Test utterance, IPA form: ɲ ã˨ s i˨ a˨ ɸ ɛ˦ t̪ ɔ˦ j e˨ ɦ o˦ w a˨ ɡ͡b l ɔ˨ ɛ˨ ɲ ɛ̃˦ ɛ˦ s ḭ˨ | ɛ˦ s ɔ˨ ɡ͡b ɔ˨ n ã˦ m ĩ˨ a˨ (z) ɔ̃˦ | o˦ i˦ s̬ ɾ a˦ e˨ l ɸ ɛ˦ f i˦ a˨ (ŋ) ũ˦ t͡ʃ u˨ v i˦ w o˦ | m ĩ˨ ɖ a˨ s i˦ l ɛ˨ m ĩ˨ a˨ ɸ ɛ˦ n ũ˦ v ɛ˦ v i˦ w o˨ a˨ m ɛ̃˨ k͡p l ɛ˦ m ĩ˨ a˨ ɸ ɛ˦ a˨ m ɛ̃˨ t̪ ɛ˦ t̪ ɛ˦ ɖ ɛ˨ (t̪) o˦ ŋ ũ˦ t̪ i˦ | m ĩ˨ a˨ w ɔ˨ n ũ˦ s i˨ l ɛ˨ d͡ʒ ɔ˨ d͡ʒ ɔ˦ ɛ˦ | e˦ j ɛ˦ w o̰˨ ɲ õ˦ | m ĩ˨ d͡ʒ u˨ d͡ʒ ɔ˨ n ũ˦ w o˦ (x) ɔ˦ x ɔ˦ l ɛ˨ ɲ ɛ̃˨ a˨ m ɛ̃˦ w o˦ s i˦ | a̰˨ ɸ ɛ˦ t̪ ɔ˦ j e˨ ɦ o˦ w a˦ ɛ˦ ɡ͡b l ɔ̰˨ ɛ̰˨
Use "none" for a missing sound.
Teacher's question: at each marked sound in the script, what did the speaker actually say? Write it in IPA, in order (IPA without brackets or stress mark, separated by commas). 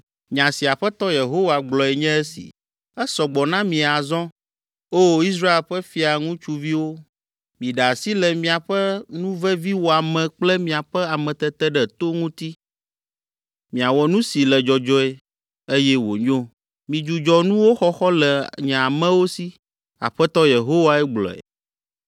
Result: z, ŋ, t̪, x